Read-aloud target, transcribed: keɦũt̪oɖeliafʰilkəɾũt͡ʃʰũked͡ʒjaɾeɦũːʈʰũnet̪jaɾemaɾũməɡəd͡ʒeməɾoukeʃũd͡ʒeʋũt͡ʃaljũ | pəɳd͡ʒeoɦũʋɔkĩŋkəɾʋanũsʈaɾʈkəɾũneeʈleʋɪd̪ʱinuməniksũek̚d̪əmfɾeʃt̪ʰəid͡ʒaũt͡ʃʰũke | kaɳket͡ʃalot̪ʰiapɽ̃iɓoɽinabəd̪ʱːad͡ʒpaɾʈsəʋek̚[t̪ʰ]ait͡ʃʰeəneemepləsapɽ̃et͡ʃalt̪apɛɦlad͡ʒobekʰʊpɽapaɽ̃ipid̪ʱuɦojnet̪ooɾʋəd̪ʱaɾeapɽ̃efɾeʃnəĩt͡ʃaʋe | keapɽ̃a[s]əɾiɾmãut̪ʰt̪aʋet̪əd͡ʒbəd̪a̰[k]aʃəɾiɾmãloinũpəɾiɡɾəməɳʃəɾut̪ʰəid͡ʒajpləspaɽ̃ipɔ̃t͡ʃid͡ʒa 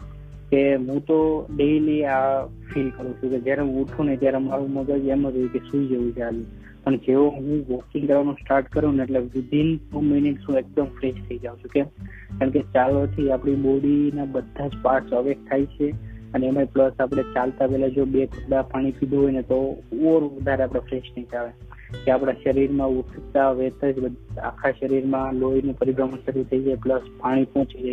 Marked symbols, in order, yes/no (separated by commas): yes, no, no